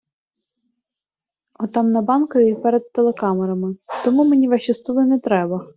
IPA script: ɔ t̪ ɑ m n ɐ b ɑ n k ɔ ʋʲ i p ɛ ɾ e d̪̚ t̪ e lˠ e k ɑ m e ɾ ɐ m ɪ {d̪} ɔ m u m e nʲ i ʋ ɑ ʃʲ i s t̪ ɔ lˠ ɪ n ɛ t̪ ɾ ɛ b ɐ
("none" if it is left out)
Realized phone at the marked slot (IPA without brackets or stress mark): t̪